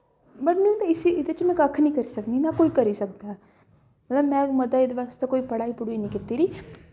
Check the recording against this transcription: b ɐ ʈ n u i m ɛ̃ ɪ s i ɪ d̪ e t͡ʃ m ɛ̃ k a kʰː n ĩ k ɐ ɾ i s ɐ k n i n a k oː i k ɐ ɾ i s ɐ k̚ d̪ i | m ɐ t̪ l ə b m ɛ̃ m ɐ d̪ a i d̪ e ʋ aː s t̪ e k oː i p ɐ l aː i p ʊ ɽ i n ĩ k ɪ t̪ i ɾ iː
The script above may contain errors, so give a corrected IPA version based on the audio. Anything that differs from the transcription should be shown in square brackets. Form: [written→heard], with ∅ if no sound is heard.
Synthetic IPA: b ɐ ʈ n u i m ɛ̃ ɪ s i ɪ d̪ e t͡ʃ m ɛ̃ k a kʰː n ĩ k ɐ ɾ i s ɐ k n i n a k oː i k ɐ ɾ i s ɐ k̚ d̪ [i→a] | m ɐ t̪ l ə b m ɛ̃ m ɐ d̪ a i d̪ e ʋ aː s t̪ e k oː i p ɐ [l→ɽ] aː i p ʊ ɽ i n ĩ k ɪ t̪ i ɾ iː